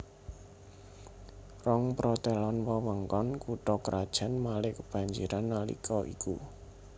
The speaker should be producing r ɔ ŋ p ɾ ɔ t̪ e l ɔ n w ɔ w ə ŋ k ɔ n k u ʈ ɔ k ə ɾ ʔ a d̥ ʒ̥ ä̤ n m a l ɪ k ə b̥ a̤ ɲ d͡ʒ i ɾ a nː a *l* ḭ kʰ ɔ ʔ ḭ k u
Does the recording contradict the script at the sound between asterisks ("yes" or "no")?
no